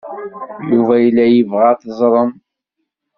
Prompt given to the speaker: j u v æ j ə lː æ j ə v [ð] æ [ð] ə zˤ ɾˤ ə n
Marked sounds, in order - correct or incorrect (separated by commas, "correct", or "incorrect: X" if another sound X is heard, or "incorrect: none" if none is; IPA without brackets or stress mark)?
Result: incorrect: ʁ, incorrect: θ